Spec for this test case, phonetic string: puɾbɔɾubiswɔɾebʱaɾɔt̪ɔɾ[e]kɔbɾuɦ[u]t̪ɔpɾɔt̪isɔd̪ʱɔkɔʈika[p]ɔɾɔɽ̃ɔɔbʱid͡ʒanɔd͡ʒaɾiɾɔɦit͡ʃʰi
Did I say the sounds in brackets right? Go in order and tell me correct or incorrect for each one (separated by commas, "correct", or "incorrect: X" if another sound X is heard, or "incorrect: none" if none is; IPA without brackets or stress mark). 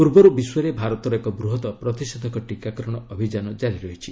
correct, incorrect: ɔ, incorrect: k